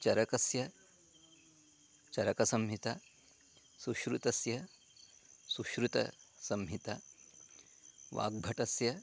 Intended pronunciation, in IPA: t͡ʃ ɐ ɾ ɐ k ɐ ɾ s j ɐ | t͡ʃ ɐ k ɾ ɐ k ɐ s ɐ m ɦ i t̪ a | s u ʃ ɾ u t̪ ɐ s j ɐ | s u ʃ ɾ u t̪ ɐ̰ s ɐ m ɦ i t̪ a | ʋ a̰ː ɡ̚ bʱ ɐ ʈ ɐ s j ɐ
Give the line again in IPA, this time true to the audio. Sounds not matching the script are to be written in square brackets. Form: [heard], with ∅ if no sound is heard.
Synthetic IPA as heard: t͡ʃ ɐ ɾ ɐ k ɐ [∅] s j ɐ | t͡ʃ ɐ [∅] ɾ ɐ k ɐ s ɐ m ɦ i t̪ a | s u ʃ ɾ u t̪ ɐ s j ɐ | s u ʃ ɾ u t̪ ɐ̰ s ɐ m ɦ i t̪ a | ʋ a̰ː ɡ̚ bʱ ɐ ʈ ɐ s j ɐ